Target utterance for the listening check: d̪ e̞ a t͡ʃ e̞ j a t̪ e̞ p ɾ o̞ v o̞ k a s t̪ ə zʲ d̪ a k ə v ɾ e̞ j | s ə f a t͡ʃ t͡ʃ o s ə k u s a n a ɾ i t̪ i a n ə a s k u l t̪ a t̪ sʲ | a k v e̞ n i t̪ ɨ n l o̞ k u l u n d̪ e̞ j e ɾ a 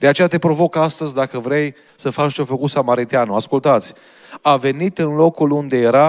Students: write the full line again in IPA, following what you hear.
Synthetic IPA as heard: d̪ e̞ a t͡ʃ e̞ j a t̪ e̞ p ɾ o̞ v o̞ k a s t̪ ə zʲ d̪ a k ə v ɾ e̞ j | s ə f a t͡ʃ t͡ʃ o f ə k u s a m a ɾ i t̪ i a n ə a s k u l t̪ a t̪ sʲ | a v e̞ n i t̪ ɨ n l o̞ k u l u n d̪ e̞ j e ɾ a